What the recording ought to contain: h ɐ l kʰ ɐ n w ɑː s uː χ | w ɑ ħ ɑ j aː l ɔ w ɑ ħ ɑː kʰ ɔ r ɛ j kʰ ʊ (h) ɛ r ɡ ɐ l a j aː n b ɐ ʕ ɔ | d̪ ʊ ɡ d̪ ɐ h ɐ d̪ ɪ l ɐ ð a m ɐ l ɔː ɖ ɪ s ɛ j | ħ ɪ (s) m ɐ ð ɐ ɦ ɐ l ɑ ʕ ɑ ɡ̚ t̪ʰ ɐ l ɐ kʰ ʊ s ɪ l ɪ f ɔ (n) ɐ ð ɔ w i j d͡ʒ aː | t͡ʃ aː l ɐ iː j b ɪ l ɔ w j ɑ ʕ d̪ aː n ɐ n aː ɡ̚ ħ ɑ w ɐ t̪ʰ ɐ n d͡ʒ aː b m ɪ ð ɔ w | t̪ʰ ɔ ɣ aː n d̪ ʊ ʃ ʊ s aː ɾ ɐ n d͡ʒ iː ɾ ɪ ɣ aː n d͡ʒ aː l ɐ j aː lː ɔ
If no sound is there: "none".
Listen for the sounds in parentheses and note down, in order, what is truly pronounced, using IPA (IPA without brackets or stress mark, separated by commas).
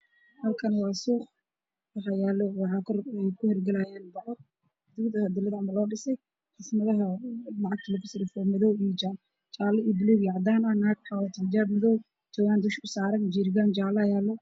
h, s, m